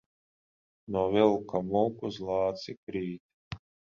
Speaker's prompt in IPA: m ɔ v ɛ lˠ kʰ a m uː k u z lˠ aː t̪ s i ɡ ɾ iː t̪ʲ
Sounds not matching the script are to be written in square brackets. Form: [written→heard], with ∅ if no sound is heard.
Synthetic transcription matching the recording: [m→n] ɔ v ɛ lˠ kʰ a m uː k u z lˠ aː t̪ s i [ɡ→k] ɾ iː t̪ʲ